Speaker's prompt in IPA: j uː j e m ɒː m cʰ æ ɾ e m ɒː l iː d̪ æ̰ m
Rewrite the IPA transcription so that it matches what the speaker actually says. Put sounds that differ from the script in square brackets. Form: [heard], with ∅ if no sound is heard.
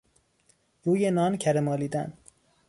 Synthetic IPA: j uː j e [n] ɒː [n] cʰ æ ɾ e m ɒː l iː d̪ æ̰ [n]